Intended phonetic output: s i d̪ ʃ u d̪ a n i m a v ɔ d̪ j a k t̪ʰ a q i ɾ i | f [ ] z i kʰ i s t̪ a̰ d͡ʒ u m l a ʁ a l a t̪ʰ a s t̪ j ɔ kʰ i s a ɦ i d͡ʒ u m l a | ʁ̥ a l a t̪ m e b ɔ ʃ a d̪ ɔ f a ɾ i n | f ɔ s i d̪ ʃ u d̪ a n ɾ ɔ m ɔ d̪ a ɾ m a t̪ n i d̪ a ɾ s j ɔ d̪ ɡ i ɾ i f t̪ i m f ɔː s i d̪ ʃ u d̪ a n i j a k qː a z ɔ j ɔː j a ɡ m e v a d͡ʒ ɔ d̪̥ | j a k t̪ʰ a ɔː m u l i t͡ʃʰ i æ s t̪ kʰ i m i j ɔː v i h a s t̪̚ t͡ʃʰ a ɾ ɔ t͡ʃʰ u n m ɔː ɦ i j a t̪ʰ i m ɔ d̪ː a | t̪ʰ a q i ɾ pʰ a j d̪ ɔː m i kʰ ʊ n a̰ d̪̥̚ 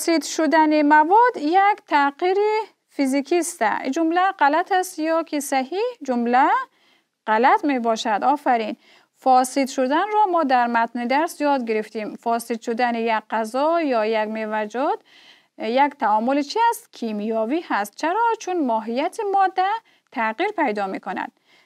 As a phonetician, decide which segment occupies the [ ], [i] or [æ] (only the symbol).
i